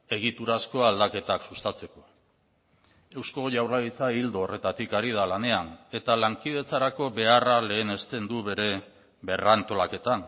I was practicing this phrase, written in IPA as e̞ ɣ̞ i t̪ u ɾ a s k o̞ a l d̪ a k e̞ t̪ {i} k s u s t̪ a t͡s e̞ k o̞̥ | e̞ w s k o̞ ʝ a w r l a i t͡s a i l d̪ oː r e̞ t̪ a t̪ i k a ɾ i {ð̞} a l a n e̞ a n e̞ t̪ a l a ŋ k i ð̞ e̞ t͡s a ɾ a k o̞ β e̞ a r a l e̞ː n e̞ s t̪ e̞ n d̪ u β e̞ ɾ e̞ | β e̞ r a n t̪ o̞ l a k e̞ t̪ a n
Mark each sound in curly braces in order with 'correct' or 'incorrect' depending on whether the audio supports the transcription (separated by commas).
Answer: incorrect, correct